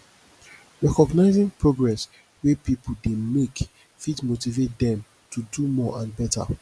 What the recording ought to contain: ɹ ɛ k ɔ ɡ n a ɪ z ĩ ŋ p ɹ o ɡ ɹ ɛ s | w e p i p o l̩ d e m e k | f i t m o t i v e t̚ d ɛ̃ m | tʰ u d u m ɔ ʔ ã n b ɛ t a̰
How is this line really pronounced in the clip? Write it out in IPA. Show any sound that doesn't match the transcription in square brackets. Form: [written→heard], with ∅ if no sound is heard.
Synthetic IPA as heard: ɹ ɛ k ɔ ɡ n a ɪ z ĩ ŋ p ɹ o ɡ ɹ ɛ s | w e p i p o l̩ d e m e k | f i t m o t i v e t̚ d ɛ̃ m | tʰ u d u m ɔ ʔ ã n b ɛ t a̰